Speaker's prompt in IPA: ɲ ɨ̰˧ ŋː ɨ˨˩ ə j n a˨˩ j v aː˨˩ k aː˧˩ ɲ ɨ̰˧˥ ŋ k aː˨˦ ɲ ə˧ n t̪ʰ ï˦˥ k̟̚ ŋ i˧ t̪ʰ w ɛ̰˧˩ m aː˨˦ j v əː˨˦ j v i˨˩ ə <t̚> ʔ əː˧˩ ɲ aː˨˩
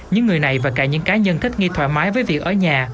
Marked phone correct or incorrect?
incorrect